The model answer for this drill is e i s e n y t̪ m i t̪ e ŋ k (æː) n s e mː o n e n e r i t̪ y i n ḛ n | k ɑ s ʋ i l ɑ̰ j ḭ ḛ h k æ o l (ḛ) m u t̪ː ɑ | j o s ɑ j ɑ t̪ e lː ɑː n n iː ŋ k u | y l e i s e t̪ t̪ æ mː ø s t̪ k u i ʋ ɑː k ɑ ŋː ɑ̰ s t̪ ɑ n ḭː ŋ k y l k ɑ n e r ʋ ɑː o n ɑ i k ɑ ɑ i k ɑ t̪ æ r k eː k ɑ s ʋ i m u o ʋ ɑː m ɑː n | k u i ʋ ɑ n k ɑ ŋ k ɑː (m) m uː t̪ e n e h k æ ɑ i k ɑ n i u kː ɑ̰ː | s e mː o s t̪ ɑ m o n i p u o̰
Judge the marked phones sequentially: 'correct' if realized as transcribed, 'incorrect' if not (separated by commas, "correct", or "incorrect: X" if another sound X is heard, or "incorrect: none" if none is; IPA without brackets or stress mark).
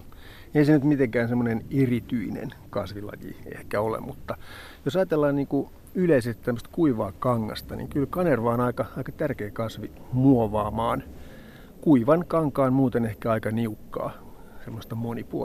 correct, correct, incorrect: n